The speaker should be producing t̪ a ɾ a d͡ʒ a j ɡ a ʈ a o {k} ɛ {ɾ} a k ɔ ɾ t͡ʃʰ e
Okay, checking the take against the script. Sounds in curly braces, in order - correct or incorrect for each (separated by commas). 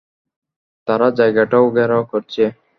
incorrect, correct